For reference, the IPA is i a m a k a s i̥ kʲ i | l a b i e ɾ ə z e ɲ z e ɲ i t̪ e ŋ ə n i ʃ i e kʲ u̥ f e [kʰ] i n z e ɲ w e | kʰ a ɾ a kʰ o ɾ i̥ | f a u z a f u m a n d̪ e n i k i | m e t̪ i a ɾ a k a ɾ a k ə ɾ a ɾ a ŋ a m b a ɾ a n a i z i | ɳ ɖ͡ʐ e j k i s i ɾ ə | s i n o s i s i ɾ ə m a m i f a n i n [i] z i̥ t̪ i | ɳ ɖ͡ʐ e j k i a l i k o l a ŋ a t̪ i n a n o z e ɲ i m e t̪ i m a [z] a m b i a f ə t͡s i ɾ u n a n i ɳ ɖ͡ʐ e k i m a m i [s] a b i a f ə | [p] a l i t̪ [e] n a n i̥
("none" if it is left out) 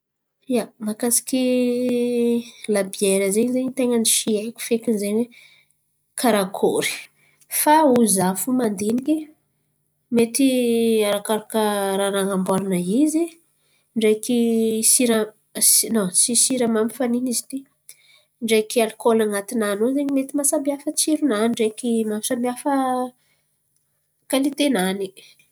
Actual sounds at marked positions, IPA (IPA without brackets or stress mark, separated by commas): k, i, s, s, k, e